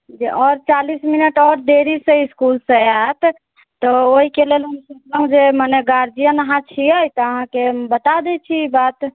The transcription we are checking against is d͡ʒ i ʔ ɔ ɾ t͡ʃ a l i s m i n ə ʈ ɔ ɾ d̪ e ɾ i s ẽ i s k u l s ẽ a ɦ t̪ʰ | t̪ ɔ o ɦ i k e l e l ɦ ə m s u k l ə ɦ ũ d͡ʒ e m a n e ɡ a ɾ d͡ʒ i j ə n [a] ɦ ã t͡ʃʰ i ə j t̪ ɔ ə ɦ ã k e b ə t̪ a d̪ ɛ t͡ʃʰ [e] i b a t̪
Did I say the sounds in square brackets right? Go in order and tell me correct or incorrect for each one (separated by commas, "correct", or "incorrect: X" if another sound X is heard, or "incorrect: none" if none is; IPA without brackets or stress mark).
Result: incorrect: ə, incorrect: i